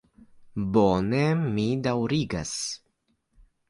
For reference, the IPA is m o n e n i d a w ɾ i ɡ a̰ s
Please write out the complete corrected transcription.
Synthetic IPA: b o n e m i d a w ɾ i ɡ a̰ s